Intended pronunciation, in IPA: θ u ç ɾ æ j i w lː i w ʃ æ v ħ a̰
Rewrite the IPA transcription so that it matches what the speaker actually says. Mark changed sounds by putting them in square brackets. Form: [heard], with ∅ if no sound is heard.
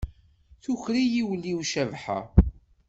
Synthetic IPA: θ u ç ɾ [i] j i w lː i w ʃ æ v ħ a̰